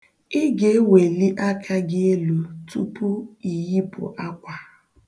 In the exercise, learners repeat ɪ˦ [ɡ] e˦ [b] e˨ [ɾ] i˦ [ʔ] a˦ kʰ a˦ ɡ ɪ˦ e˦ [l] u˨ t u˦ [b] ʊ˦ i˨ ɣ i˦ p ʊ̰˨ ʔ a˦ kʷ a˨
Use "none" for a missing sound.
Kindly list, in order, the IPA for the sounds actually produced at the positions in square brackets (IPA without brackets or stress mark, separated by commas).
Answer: ɡ, w, l, ʔ, l, p